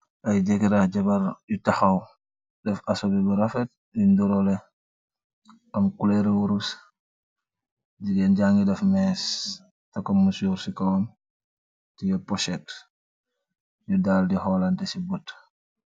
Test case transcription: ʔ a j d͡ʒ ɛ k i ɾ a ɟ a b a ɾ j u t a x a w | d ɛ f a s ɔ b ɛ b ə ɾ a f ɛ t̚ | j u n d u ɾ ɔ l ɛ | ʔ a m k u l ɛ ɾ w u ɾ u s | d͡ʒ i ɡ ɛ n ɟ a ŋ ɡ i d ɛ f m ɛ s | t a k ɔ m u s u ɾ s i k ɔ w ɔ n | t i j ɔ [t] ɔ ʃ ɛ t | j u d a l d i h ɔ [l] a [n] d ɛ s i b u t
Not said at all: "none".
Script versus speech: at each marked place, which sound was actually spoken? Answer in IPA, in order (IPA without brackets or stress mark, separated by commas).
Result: p, l, n